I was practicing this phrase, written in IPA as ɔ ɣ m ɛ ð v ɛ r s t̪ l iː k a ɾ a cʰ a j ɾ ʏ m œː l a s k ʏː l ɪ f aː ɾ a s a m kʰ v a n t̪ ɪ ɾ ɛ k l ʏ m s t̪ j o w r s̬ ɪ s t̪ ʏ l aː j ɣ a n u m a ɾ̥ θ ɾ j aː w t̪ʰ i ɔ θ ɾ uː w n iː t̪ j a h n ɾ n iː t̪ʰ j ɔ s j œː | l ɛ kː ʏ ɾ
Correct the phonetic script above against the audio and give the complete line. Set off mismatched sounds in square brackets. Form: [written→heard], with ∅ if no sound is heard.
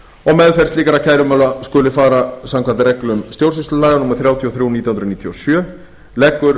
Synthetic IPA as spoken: ɔ ɣ m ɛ ð [v→f] ɛ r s t̪ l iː k a ɾ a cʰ a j ɾ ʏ m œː l a s k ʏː l ɪ f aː ɾ a s a m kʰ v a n t̪ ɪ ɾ ɛ k l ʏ m s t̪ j o w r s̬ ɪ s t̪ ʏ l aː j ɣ a n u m a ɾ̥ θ ɾ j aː w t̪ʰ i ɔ θ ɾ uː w n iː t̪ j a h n ɾ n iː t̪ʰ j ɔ s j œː | l ɛ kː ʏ ɾ